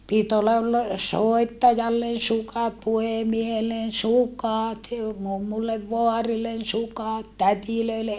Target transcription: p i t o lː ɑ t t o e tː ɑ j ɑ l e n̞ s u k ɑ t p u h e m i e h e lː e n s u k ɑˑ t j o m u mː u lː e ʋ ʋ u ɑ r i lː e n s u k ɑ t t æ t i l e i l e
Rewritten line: p i t o lː ɑ t s o e tː ɑ j ɑ lː e n̞ s u k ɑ t p u h e m i e h e lː e n s u k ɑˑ t j o m u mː u lː e ʋ ʋ o ɑ r i lː e n s u k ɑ t t æ t i l ø i l e

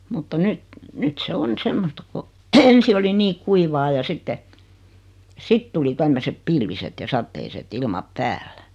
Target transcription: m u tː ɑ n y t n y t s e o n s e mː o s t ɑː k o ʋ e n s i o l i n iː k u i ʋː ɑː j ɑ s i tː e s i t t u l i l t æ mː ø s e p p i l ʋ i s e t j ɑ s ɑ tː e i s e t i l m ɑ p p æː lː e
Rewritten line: m u tː ɑ n y t n y t s e o n s e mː o s t ɑ k o e n s i o l i n iː k u i ʋ ɑː j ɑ s i tː e s i t t u l i t æ mː ø s e p p i l ʋ i s e t j ɑ s ɑ tː e i s e t i l m ɑ p p æː lː æ

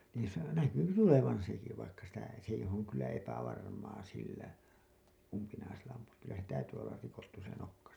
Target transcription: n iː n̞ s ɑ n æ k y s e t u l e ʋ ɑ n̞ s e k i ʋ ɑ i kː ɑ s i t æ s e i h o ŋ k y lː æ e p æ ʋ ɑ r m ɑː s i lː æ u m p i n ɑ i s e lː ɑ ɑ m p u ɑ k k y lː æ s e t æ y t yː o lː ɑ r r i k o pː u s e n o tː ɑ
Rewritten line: n iː n̞ s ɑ n æ k y s e t u l e ʋ ɑ n̞ s e k i ʋ ɑ i kː ɑ s i t æ s e i h o ŋ k y lː æ e p æ ʋ ɑ r m ɑː s i lː æ u m p i n ɑ i s e lː ɑ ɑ m p u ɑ k k y lː æ s e t æ y t yː o lː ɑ r r i k o tː u s e n o kː ɑ

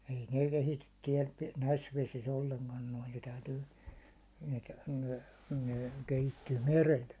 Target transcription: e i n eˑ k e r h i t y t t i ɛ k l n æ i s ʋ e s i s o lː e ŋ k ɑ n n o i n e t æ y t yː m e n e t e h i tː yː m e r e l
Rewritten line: e i n eˑ k e h i t y t t i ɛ l n æ i s ʋ e s i s o lː e ŋ k ɑ n n o i n e t æ y t yː n e n e k e h i tː yː m e r e l

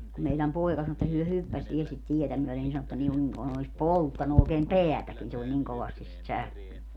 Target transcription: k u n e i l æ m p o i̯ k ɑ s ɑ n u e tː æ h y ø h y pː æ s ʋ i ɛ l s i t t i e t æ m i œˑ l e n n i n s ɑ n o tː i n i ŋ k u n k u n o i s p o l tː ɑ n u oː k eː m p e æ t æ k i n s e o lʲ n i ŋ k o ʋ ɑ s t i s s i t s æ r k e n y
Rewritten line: k u m e i l æ m p o i̯ k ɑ s ɑ n o e tː æ h y ø h y pː æ s ʋ i ɛ l s i t t i e t æ m y œˑ l e n n i n s ɑ n o tː æ n i ŋ k u n k u n o i s p o l tː ɑ n u oː k eː m p e æ t æ k i n s e o lʲ n i ŋ k o ʋ ɑ s t i s s i t s æ r k e n y

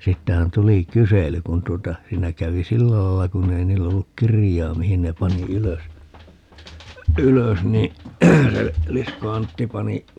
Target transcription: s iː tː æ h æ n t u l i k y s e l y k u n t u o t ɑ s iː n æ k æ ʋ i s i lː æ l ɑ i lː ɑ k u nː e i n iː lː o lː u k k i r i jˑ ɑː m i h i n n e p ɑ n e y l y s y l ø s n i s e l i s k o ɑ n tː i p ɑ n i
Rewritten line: s iː tː æ h æ n t u l i k y s e l y k u n t u o t ɑ s iː n æ k æ ʋ i s i lː æ l ɑ i lː ɑ k u nː e i n iː lː o lː u k k i r i jˑ ɑː m i h i n n e p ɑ n i y l ø s y l ø s n i s e l i s k o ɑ n tː i p ɑ n i

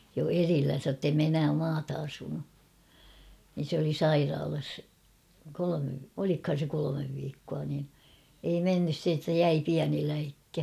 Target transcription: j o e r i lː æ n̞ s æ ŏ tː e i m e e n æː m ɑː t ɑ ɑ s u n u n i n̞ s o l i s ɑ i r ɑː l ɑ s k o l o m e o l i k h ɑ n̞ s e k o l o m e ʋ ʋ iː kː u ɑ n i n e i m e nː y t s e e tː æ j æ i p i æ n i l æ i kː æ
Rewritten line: j o e r i lː æ n̞ s æ ŏ tː e i m e e n æː m ɑː t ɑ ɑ s u n u n i n̞ s o l i s ɑ i r ɑː l ɑ s k o l o m e o l i k h ɑ n̞ s e k o l o m e ʋ ʋ iː kː u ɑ n i n e i m e nː y s s e e tː æ j æ i p i æ n i l æ i kː æ

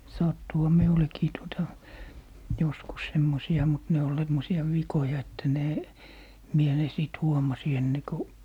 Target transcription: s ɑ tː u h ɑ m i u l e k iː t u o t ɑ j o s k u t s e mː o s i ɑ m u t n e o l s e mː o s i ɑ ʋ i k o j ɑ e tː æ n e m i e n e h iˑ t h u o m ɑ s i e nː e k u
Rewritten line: s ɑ tː u h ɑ m i u l e k iː t u o t ɑ j o s k u s s e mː o s i ɑ m u t n e o l s e mː o s i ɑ ʋ i k o j ɑ e tː æ n e m i e n e s iˑ t h u o m ɑ s i e nː e k u

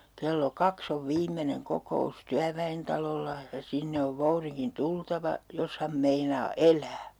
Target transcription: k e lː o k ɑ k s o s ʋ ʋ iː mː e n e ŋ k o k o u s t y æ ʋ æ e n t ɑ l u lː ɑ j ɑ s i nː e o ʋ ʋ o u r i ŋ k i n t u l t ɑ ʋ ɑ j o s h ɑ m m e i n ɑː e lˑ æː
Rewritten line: k e lː o k ɑ k s o ʋ ʋ iː mː e n e ŋ k o k o u s t y æ ʋ æ e n t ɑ l o lː ɑ j ɑ s i nː e o ʋ ʋ o u r i ŋ k i n t u l t ɑ ʋ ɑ j o s h ɑ m m e i n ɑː e lˑ æː

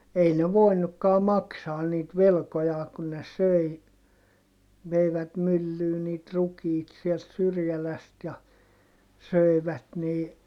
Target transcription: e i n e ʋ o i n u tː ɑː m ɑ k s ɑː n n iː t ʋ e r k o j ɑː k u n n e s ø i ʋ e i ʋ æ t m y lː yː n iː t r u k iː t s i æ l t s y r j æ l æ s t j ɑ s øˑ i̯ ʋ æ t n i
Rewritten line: e i n e ʋ o i n u kː ɑː m ɑ k s ɑː n n iː t ʋ e l k o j ɑː k u n n e s ø i ʋ e i ʋ æ t m y lː yː n iː t r u k iː t s i ɛ l t s y r j æ l æ s t j ɑ s øˑ i̯ ʋ æ t n iː

